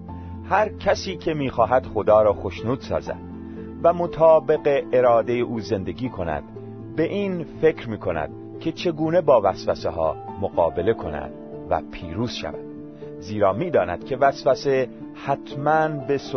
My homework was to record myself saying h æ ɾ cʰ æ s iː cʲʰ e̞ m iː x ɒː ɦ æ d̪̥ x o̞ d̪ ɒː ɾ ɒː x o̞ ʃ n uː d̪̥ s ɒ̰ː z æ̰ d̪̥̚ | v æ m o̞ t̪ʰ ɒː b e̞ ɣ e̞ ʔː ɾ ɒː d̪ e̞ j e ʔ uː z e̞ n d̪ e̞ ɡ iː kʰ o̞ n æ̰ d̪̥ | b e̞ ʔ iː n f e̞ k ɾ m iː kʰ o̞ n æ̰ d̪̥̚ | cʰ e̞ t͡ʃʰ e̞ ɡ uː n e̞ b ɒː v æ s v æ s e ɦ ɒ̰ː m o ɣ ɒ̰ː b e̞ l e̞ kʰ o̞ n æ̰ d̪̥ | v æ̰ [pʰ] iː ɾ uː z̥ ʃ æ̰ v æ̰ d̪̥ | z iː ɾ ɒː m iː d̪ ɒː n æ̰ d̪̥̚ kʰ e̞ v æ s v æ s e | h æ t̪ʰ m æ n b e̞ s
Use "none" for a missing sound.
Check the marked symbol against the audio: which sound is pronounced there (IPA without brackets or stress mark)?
pʰ